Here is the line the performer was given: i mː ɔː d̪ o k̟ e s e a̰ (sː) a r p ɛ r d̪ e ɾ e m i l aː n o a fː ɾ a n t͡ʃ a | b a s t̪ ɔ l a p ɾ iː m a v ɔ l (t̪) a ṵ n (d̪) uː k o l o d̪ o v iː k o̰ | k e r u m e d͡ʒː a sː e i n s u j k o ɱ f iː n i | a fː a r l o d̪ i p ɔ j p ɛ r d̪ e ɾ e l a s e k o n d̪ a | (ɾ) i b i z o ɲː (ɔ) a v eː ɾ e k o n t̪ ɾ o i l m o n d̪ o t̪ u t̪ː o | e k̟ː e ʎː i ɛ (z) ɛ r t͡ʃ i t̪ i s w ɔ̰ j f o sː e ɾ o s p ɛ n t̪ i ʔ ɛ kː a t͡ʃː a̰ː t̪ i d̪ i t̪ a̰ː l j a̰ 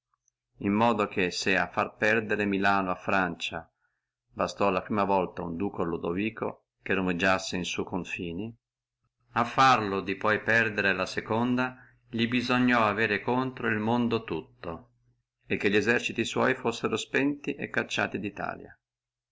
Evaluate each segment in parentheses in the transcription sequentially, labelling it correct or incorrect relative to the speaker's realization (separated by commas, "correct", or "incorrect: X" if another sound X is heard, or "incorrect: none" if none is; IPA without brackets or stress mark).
incorrect: fː, correct, correct, incorrect: ʎ, correct, correct